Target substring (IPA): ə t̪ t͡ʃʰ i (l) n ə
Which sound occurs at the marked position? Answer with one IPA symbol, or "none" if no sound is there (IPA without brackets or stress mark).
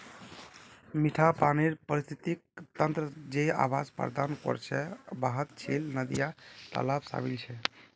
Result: l